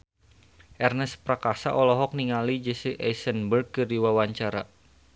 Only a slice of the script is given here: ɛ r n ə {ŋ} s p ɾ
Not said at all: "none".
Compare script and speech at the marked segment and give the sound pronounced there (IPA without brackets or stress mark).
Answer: none